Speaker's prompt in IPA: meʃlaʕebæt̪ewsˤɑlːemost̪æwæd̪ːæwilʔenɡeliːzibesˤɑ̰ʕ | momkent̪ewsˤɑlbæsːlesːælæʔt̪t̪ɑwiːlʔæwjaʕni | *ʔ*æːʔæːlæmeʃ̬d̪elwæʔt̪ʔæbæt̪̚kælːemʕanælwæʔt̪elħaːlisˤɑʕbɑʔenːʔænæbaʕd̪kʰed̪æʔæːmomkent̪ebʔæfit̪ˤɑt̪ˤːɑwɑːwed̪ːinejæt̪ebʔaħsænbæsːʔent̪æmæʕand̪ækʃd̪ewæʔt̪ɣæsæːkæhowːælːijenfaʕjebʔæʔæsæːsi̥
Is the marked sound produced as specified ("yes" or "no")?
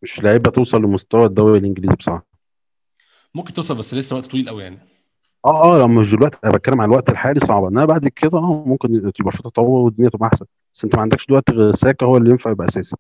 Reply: yes